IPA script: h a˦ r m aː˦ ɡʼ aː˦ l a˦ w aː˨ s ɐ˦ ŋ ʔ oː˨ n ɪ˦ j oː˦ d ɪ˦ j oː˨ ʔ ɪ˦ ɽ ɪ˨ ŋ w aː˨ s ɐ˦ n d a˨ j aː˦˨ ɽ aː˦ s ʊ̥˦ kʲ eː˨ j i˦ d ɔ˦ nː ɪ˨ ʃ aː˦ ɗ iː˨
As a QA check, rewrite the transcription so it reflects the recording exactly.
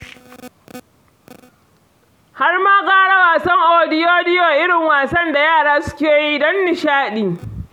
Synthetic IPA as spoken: h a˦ r m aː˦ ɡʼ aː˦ ɽ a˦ w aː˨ s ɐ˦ ŋ ʔ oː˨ d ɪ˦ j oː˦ d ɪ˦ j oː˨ ʔ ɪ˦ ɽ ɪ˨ ŋ w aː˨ s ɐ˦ n d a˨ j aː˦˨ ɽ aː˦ s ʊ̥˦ kʲ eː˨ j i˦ d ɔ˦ nː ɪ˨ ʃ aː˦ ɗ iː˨